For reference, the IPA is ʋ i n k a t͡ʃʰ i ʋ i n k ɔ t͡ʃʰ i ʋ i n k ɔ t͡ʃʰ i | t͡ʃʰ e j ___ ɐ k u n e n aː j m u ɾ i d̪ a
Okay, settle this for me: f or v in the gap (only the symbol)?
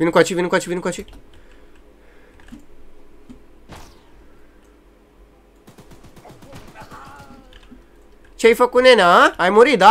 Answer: f